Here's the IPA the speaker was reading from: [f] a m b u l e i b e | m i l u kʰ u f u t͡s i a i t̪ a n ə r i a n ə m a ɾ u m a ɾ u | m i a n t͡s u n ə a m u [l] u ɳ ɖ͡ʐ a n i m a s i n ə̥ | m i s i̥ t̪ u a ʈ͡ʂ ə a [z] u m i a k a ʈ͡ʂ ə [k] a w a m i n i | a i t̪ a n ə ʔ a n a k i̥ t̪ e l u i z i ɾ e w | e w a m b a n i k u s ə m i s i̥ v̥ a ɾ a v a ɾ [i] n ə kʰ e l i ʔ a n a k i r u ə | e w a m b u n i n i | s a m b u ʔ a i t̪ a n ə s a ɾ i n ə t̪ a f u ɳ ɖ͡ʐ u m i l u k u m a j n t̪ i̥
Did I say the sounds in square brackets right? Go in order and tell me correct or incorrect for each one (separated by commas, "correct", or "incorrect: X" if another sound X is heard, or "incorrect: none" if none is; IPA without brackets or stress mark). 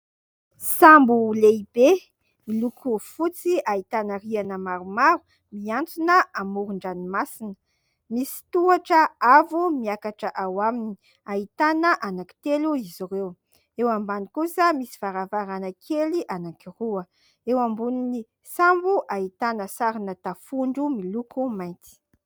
incorrect: s, incorrect: ɾ, incorrect: v, incorrect: ʔ, incorrect: a